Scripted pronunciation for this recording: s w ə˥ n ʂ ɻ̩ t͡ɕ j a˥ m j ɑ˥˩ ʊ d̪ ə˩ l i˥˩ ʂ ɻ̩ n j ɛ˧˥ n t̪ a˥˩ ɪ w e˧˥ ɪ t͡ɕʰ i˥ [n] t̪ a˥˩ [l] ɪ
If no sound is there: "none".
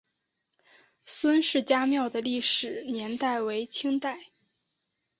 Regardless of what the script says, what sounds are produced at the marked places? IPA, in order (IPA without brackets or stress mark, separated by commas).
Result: ŋ, none